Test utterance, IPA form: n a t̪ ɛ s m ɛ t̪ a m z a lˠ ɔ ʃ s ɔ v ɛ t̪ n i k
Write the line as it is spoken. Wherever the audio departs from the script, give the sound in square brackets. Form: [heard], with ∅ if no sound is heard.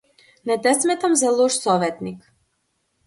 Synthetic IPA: n [ɛ] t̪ ɛ s m ɛ t̪ a m z a lˠ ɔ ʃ s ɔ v ɛ t̪ n i k